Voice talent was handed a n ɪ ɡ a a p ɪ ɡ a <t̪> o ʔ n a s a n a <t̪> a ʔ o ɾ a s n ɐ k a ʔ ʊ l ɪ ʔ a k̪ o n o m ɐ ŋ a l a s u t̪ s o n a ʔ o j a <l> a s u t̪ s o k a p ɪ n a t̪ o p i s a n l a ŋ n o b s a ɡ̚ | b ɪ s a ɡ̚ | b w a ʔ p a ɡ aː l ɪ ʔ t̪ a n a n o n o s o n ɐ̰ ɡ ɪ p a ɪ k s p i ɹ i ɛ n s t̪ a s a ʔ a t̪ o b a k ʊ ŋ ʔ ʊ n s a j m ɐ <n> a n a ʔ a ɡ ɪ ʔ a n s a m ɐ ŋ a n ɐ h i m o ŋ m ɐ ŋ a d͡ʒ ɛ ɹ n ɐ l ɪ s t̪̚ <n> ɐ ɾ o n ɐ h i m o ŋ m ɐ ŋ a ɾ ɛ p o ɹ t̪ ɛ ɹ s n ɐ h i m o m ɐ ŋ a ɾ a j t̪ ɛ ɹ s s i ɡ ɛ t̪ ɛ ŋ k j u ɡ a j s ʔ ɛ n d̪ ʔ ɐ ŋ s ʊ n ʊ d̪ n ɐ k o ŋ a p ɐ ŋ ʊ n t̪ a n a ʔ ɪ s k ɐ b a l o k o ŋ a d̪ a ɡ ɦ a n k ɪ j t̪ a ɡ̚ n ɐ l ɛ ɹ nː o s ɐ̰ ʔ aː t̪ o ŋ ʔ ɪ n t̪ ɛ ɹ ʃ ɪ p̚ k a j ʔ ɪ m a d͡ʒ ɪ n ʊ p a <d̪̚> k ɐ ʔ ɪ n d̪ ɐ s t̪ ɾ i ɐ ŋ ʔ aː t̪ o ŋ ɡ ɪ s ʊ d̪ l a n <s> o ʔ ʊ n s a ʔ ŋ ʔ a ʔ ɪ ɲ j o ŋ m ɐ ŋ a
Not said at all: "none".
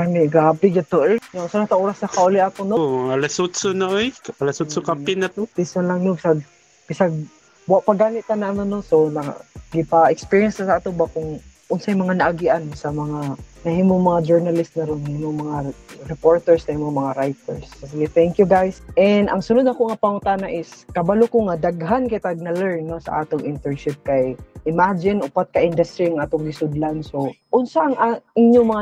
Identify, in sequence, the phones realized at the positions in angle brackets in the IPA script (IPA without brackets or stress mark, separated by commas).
t̪, t̪, l, ŋ, n, t̪̚, s